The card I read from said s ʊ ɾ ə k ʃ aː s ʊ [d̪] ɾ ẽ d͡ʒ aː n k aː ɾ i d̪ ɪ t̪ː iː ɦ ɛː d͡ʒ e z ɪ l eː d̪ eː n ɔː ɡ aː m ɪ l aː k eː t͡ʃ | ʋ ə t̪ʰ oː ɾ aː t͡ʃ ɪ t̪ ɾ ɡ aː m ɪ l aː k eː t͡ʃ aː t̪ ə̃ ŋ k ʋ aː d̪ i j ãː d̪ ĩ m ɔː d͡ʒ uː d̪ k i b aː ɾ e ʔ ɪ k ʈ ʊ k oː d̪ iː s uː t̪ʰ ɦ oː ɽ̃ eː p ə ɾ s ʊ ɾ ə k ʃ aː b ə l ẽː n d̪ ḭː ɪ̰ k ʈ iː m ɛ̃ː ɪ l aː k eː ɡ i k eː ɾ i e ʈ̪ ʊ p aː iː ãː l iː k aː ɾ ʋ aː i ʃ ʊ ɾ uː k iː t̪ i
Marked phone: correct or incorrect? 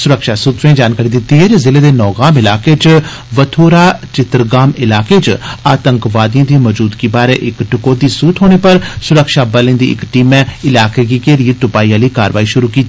incorrect: t̪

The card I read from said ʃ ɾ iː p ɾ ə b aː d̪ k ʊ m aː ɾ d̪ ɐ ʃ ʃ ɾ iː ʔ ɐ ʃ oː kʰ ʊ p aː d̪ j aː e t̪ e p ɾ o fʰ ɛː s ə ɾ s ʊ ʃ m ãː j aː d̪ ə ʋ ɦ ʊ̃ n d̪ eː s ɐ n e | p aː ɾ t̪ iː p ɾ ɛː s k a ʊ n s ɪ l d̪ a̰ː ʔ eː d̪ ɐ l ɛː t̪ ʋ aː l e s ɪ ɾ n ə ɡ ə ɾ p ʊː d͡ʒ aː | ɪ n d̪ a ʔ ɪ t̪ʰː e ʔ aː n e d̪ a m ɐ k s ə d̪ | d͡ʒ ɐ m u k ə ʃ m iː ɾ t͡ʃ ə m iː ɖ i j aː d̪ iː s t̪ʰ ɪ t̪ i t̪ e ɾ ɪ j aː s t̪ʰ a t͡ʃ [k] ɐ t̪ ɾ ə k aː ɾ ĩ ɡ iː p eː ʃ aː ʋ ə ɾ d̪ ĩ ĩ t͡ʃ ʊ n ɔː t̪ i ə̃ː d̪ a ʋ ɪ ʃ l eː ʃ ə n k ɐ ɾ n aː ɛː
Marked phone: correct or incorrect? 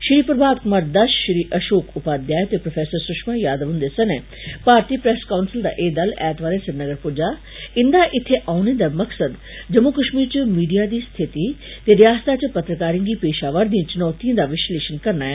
incorrect: p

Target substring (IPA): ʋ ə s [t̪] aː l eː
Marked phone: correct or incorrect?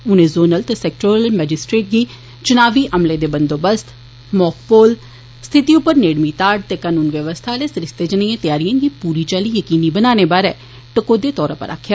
incorrect: t̪ʰ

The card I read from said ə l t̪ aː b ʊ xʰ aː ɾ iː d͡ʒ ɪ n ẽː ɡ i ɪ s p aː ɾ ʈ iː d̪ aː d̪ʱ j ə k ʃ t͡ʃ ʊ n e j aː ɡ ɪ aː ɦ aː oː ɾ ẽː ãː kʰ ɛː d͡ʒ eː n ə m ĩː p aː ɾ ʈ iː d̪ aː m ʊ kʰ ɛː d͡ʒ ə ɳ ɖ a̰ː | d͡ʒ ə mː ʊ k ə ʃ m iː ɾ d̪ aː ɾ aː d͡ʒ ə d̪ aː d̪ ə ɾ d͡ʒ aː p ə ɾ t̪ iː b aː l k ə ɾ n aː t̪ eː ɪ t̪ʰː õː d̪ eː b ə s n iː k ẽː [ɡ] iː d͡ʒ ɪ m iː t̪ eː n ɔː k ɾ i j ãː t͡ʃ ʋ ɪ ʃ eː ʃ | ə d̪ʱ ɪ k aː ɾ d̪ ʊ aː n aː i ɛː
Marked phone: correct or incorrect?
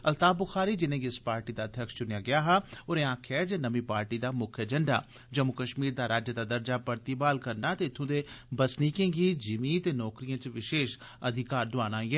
correct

